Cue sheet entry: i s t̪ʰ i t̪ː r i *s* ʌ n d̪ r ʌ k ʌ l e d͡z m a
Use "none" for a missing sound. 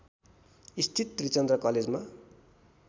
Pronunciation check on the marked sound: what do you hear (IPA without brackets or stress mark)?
t͡s